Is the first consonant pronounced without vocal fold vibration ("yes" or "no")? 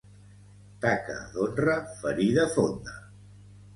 yes